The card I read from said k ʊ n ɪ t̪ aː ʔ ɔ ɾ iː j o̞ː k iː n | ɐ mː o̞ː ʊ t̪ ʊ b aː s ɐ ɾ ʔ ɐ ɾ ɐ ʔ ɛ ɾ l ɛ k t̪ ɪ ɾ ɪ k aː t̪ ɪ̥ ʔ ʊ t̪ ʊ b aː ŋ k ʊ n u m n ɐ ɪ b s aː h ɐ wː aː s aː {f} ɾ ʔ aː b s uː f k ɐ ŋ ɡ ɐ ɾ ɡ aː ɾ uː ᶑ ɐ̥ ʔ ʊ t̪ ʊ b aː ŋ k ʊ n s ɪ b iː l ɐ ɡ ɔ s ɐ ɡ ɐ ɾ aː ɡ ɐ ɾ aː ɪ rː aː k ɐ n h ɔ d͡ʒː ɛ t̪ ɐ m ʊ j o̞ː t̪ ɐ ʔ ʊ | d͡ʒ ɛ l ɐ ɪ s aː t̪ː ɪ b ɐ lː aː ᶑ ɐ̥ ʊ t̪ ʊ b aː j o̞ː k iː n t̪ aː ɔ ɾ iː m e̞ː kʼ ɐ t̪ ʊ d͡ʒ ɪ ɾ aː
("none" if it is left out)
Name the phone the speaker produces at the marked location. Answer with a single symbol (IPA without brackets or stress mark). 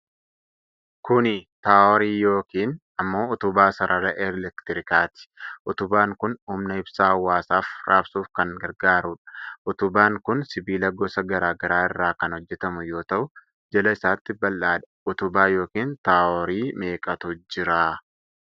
f